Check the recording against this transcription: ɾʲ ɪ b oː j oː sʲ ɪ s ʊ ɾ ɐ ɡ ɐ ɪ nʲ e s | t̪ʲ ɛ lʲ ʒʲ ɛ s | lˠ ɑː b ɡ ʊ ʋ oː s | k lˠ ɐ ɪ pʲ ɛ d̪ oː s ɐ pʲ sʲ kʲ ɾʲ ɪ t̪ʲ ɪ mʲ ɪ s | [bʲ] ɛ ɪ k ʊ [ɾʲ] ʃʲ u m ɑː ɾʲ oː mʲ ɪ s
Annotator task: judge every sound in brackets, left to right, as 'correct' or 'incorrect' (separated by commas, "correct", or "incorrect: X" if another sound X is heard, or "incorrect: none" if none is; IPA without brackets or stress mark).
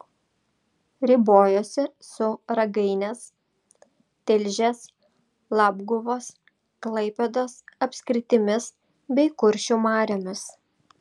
correct, correct